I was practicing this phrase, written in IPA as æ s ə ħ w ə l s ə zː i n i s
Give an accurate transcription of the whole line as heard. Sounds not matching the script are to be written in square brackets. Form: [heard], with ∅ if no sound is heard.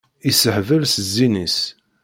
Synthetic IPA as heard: [i] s ə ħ [v] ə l s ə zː i n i s